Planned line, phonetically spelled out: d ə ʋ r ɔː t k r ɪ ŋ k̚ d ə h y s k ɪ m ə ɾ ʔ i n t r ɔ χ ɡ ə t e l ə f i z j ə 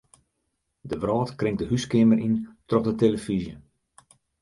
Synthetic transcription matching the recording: d ə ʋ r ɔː t k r ɪ ŋ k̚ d ə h y s k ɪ m ə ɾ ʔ i n t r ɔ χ d ə t e l ə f i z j ə